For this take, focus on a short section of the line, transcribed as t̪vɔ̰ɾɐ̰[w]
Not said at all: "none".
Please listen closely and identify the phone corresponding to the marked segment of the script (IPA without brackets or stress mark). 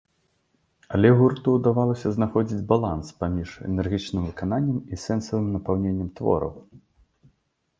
w